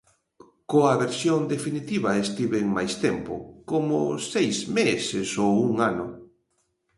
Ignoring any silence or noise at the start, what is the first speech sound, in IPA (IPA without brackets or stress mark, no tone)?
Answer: k